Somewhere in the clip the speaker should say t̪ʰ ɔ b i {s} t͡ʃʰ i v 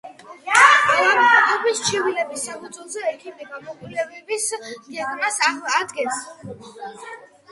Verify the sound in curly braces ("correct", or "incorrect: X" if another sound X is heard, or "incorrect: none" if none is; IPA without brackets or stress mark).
correct